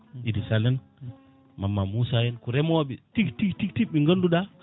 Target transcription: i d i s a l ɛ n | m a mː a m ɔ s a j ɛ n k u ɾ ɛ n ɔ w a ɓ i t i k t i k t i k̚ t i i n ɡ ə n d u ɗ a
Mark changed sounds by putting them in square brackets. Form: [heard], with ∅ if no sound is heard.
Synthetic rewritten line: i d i s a l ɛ n | m a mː a m [u] s a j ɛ n k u ɾ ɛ [m] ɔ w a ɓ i t i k t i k t i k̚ t i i [ŋ] ɡ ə n d u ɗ a